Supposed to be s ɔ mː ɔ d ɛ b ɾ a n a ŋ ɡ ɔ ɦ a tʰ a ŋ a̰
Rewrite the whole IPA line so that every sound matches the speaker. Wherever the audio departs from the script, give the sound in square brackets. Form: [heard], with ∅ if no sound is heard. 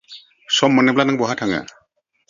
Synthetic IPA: s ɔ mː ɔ [n] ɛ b [l] a n a ŋ [b] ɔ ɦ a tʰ a ŋ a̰